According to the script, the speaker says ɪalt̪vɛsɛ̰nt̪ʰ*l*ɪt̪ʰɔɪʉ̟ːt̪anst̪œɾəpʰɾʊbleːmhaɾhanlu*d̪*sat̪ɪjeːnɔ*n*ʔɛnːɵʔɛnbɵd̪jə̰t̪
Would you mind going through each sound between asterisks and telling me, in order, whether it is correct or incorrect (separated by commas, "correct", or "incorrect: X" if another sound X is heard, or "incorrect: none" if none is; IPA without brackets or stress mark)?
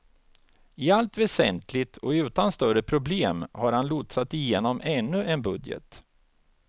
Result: correct, incorrect: t̪, incorrect: m